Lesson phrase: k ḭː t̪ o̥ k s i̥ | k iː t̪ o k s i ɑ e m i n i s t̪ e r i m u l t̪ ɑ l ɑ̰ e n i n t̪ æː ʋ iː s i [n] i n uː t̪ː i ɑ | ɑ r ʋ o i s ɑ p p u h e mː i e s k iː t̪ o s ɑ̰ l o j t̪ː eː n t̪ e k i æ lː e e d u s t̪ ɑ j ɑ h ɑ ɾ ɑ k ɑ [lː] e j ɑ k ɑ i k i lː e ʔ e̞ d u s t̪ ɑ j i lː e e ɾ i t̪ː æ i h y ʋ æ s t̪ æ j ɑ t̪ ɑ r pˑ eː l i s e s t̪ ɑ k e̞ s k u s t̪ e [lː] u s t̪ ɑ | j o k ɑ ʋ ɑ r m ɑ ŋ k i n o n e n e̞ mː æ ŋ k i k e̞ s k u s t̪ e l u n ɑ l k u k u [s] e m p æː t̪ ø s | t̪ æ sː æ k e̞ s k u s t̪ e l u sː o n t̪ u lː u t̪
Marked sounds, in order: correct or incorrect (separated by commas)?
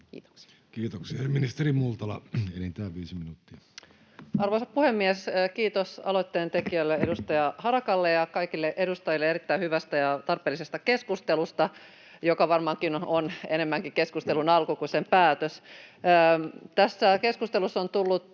incorrect, correct, incorrect, correct